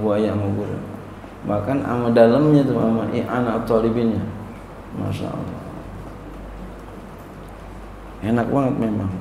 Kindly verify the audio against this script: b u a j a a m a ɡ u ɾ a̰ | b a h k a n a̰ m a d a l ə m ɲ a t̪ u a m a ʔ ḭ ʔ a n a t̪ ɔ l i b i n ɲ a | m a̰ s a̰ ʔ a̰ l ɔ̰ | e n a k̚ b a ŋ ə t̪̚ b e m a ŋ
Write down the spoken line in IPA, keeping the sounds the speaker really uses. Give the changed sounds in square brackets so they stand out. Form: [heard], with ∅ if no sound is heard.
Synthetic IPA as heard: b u a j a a m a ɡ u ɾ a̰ | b a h k a n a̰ m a d a l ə m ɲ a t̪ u a m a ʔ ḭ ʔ a n a t̪ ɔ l i b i n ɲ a | m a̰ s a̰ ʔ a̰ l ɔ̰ | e n a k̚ b a ŋ ə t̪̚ [m] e m a ŋ